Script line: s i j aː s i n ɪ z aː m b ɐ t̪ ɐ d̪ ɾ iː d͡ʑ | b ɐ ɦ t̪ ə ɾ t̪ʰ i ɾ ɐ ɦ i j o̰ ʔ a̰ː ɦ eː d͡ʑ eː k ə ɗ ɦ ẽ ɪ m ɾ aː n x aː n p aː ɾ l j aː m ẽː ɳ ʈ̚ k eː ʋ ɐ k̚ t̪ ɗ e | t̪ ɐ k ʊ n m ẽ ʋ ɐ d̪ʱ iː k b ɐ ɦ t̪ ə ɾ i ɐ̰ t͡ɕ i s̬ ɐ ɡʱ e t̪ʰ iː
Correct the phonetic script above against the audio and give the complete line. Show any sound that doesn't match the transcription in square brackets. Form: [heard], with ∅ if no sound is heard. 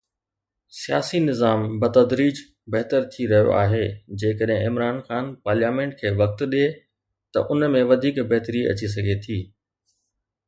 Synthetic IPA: s i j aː s i n ɪ z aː m b ɐ t̪ ɐ d̪ ɾ iː d͡ʑ | b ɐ ɦ t̪ ə ɾ t̪ʰ i ɾ ɐ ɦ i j o̰ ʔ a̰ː ɦ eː d͡ʑ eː k ə ɗ ɦ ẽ ɪ m ɾ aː n x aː n p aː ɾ l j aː m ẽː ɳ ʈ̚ [kʰ] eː ʋ ɐ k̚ t̪ ɗ e | t̪ ɐ [ʔ] ʊ n m ẽ ʋ ɐ d̪ʱ iː k b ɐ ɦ t̪ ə ɾ i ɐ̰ t͡ɕ i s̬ ɐ ɡʱ e t̪ʰ iː

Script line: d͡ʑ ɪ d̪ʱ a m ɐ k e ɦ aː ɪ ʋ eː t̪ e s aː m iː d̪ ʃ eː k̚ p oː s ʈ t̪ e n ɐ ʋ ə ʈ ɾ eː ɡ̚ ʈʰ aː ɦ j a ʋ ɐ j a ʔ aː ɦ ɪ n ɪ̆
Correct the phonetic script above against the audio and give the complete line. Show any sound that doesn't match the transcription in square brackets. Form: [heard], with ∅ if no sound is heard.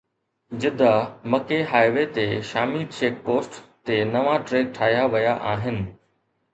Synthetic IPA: d͡ʑ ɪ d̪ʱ a m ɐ k e ɦ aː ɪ ʋ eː t̪ e [ʃ] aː m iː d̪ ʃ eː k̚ p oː s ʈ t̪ e n ɐ ʋ [a] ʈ ɾ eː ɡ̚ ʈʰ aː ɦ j a ʋ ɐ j a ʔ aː ɦ ɪ n ɪ̆

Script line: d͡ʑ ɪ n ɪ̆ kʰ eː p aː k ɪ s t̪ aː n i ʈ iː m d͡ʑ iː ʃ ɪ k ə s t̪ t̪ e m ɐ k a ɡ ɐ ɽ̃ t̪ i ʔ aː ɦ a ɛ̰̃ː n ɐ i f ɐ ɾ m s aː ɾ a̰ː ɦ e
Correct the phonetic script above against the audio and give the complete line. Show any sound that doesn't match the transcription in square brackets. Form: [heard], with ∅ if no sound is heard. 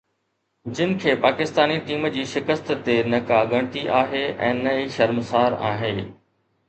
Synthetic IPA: d͡ʑ ɪ n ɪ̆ kʰ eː p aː k ɪ s t̪ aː n i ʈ iː m d͡ʑ iː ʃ ɪ k ə s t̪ t̪ e [n] ɐ k a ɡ ɐ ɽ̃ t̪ i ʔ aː ɦ [e] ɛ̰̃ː n ɐ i [ʃ] ɐ ɾ m s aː ɾ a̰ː ɦ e

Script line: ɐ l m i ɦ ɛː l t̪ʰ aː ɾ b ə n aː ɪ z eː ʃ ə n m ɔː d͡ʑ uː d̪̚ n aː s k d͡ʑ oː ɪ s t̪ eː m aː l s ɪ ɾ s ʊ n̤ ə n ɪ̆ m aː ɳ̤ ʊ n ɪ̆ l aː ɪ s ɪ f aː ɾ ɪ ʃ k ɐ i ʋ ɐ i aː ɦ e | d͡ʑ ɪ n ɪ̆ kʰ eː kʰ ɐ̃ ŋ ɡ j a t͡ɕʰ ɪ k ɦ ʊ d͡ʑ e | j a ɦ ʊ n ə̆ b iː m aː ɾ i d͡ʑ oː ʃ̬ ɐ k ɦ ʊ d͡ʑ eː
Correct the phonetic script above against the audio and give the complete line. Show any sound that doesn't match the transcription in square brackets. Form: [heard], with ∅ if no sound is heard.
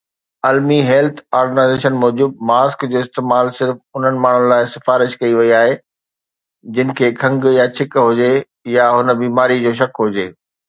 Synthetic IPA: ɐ l m i ɦ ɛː l t̪ʰ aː ɾ [ɡ] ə n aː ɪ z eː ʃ ə n m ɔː d͡ʑ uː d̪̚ [m] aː s k d͡ʑ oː ɪ s t̪ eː m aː l s ɪ ɾ [f] ʊ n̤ ə n ɪ̆ m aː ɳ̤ ʊ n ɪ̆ l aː ɪ s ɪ f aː ɾ ɪ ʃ k ɐ i ʋ ɐ i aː ɦ e | d͡ʑ ɪ n ɪ̆ kʰ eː kʰ ɐ̃ ŋ ɡ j a t͡ɕʰ ɪ k ɦ ʊ d͡ʑ e | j a ɦ ʊ n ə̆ b iː m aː ɾ i d͡ʑ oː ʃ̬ ɐ k ɦ ʊ d͡ʑ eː

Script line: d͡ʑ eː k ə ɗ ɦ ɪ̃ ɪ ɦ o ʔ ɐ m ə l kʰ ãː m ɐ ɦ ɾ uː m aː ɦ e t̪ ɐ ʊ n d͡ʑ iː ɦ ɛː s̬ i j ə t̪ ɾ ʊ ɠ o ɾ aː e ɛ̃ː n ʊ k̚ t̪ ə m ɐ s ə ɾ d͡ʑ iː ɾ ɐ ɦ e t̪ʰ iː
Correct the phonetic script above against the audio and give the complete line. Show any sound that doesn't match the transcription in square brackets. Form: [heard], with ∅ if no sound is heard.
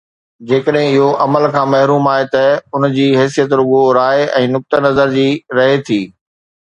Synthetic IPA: d͡ʑ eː k ə ɗ ɦ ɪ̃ ɪ ɦ o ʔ ɐ m ə l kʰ ãː m ɐ ɦ ɾ uː m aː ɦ e t̪ ɐ ʊ n d͡ʑ iː ɦ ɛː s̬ i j ə t̪ ɾ ʊ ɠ o ɾ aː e ɛ̃ː n ʊ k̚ t̪ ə [n] ɐ [z] ə ɾ d͡ʑ iː ɾ ɐ ɦ e t̪ʰ iː

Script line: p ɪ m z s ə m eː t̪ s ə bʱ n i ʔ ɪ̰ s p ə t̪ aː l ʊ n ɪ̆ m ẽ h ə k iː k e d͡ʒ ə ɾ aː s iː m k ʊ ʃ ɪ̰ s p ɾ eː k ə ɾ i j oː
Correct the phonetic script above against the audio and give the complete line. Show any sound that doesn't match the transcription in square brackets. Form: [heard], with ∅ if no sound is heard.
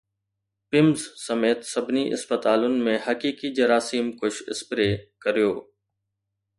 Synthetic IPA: p ɪ m z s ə m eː t̪ s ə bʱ n i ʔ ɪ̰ s p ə t̪ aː l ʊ n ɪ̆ m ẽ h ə k iː k [i] d͡ʒ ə ɾ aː s iː m k ʊ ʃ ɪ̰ s p ɾ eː k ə ɾ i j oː

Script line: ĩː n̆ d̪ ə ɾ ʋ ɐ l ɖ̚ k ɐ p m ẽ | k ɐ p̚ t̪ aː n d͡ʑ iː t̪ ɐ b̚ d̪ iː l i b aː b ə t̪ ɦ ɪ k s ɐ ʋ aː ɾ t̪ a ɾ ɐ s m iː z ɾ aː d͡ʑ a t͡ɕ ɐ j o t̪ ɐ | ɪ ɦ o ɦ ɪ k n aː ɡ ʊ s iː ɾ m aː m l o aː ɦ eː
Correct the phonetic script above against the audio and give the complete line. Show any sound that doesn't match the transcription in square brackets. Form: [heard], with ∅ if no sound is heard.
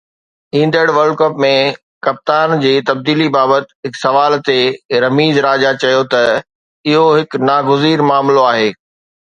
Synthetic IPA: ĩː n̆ d̪ ə [ɽ] ʋ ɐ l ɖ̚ k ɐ p m ẽ | k ɐ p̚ t̪ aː n d͡ʑ iː t̪ ɐ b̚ d̪ iː l i b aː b ə t̪ ɦ ɪ k s ɐ ʋ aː [l] t̪ [e] ɾ ɐ [∅] m iː z ɾ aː d͡ʑ a t͡ɕ ɐ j o t̪ ɐ | ɪ ɦ o ɦ ɪ k n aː ɡ ʊ [z] iː ɾ m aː m l o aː ɦ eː

